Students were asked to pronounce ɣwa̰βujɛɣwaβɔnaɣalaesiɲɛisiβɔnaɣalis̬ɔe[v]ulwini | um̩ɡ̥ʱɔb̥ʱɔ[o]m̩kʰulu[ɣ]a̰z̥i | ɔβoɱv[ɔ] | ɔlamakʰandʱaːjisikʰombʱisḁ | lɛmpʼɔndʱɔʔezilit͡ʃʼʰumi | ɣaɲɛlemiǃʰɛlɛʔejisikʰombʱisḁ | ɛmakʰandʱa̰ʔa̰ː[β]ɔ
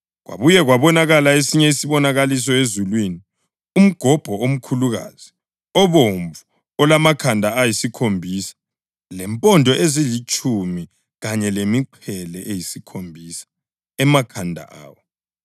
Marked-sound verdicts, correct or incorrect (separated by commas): incorrect, correct, correct, incorrect, incorrect